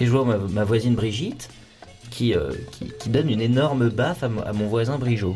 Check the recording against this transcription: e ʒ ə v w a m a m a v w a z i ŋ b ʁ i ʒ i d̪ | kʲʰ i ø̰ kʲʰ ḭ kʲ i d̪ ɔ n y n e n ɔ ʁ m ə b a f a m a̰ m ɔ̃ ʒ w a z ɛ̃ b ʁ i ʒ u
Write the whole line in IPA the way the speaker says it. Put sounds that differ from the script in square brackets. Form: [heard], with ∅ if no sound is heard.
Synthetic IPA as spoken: e ʒ ə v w a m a m a v w a z i [n] b ʁ i ʒ i [t̪] | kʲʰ i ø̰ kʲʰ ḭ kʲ i d̪ ɔ n y n e n ɔ ʁ m ə b a f a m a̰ m ɔ̃ [v] w a z ɛ̃ b ʁ i ʒ [o]